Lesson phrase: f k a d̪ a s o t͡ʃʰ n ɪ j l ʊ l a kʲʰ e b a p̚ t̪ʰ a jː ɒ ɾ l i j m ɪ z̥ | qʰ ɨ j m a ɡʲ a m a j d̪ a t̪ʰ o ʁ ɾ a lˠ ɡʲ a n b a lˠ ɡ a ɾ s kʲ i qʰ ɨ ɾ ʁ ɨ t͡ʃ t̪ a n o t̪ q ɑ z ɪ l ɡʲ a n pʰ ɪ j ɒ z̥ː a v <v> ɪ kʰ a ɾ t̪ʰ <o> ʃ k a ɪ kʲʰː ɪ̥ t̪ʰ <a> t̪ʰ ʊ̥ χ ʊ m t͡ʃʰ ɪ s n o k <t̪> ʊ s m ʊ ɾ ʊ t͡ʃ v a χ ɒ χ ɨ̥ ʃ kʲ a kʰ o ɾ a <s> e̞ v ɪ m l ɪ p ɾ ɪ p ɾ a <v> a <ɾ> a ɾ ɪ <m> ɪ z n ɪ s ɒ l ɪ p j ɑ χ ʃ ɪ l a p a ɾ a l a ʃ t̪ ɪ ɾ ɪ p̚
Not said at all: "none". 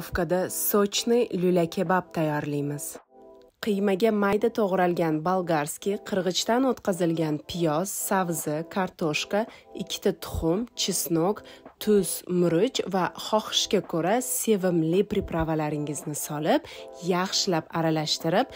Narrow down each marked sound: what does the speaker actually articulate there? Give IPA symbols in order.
z, o, a, t̪ʰ, s, v, l, ŋ

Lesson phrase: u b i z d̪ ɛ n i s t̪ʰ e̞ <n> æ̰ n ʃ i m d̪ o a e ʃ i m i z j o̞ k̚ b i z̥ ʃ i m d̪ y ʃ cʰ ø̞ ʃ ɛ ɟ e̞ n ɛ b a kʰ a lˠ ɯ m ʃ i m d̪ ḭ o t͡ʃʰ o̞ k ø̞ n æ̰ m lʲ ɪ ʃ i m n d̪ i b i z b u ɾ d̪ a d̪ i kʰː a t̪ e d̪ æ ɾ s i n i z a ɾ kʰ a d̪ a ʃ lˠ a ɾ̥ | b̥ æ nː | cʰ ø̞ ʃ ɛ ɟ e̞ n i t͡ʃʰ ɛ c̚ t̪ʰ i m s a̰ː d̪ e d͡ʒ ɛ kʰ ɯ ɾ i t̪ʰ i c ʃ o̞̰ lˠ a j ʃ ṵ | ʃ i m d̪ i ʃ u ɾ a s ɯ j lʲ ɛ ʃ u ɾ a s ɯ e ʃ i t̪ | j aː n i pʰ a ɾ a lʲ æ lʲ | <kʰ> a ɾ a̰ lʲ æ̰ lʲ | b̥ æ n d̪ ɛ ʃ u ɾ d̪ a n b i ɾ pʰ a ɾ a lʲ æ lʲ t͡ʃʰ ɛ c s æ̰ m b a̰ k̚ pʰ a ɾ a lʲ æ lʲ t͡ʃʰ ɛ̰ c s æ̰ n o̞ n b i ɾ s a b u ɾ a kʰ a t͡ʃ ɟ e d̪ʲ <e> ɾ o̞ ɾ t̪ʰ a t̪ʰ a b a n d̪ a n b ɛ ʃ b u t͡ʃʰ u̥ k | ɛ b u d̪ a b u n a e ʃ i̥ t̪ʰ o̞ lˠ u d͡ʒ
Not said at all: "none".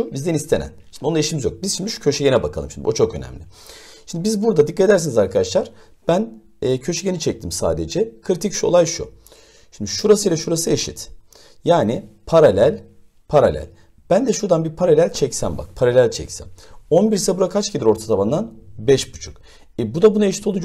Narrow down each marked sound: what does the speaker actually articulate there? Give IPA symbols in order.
n, pʰ, i

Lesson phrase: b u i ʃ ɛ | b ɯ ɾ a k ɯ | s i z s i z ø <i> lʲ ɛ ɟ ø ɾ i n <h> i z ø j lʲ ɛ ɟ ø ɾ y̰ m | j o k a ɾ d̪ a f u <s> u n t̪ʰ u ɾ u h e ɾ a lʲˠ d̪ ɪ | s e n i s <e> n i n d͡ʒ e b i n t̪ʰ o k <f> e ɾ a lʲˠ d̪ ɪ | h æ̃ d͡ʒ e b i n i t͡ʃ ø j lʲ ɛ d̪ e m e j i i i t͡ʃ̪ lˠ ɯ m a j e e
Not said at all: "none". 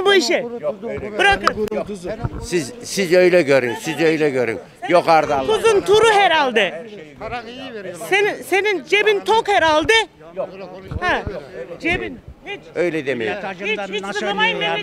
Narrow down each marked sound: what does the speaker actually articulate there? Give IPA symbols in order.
j, s, z, e, h

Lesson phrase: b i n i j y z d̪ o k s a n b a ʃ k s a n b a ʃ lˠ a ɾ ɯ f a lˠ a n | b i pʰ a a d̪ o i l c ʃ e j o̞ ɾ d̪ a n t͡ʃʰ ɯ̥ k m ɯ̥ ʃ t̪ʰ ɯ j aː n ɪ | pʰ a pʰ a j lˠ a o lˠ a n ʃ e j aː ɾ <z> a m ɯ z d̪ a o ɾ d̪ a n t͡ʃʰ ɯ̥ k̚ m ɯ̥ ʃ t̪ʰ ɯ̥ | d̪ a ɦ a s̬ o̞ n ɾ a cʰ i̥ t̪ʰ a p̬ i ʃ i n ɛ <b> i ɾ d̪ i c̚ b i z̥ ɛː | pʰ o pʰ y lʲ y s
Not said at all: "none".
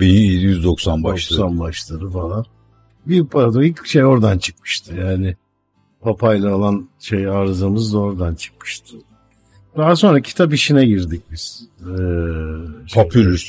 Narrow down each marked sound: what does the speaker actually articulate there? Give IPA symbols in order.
z, ɟ

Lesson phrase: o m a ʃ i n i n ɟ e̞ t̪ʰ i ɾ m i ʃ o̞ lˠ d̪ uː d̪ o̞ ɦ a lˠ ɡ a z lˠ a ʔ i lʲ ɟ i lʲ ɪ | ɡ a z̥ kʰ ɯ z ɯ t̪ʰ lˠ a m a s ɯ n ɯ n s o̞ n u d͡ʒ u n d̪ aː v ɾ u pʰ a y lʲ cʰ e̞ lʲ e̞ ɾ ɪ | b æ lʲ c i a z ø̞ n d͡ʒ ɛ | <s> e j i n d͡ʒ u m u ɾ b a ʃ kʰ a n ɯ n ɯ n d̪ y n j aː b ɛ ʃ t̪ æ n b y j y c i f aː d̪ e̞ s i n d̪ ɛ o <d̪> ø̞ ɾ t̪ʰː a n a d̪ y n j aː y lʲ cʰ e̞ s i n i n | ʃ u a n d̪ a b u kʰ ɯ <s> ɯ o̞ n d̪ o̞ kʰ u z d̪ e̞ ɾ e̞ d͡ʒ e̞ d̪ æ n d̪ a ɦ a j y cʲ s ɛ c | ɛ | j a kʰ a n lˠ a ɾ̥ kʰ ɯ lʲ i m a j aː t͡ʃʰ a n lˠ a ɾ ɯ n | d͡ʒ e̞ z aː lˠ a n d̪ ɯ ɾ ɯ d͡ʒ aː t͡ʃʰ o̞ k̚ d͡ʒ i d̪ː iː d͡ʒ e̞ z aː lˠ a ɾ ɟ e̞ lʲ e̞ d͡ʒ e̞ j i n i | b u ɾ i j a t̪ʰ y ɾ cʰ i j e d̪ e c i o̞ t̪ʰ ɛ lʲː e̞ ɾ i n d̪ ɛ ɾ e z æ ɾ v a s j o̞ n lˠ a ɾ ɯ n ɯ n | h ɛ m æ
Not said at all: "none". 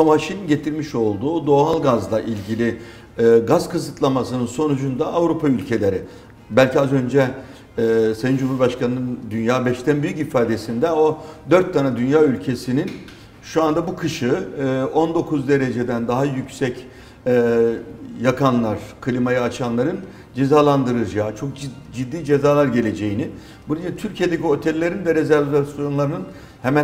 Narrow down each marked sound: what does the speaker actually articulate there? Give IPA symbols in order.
s, d̪, ʃ

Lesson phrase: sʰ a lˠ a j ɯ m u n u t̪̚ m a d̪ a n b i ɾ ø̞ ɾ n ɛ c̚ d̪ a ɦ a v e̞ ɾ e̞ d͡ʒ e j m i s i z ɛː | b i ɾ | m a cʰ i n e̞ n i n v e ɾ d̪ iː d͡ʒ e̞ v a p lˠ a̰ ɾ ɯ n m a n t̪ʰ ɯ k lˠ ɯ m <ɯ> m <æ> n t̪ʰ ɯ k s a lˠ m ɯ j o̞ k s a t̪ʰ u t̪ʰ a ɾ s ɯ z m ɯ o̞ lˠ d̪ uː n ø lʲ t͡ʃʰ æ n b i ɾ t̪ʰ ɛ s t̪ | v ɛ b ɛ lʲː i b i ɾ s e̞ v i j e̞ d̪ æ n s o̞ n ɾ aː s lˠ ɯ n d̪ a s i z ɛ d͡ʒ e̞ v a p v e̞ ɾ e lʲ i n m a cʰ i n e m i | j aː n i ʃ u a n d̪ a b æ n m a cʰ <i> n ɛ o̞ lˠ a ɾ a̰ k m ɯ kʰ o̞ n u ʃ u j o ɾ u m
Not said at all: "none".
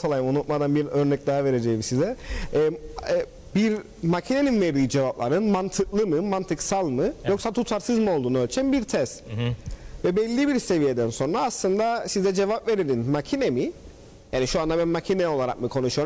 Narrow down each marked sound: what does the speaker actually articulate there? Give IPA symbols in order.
ɯ, a, i

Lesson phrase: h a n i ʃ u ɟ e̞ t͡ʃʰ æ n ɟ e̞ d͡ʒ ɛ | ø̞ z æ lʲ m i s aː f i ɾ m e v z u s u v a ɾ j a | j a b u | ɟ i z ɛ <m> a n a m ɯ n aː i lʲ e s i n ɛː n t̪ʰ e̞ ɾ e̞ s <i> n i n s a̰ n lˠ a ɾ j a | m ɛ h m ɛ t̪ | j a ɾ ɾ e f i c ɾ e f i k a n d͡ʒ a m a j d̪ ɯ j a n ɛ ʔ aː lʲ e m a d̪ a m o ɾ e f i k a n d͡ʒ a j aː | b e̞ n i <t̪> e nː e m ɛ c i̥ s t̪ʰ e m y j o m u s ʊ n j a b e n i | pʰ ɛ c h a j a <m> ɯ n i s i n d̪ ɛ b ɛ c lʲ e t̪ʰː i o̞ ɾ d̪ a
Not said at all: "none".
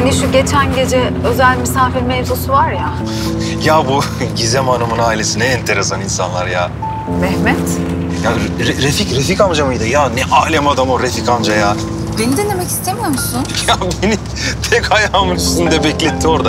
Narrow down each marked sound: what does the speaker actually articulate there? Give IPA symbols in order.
m, a, d̪, m

